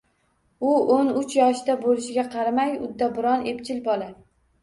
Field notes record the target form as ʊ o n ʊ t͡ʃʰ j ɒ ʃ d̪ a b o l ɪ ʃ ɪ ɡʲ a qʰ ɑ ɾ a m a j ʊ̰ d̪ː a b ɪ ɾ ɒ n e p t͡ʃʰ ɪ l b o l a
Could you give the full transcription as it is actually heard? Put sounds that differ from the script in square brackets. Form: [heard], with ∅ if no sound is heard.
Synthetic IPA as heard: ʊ o n ʊ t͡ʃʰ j ɒ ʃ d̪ a b o l ɪ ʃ ɪ ɡʲ a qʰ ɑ ɾ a m a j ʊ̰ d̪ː a b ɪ ɾ ɒ n e p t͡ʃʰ ɪ l b [ɒ] l a